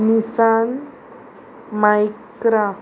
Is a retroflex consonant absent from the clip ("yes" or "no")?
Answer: yes